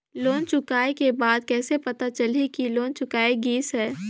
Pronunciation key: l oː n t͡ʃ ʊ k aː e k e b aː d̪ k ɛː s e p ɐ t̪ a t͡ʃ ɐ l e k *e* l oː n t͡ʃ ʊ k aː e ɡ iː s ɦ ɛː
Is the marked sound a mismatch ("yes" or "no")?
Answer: yes